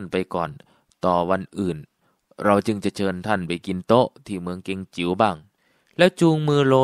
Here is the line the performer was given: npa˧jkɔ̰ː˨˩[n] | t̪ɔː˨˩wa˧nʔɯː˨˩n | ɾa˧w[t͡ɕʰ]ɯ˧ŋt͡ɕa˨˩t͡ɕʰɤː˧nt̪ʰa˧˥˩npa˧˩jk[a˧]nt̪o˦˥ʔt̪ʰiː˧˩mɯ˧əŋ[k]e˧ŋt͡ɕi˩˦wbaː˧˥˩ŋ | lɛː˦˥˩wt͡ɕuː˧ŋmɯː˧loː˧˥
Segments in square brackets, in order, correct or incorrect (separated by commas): correct, incorrect, incorrect, correct